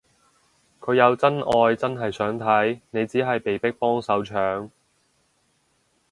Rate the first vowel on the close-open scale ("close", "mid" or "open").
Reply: mid